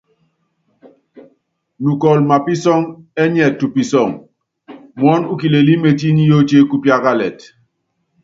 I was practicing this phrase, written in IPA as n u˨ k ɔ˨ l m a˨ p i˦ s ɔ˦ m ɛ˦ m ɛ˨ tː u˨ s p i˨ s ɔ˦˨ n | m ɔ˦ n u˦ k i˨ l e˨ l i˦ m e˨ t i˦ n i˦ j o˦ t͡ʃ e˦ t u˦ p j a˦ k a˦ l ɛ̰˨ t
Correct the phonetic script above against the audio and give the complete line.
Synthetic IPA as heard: n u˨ k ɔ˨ l m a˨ p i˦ s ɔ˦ ŋ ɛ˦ ɲ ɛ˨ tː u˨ p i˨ s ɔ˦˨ ŋ | m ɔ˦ n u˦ k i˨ l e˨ l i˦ m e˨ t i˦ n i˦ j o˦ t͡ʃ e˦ k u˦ p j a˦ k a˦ l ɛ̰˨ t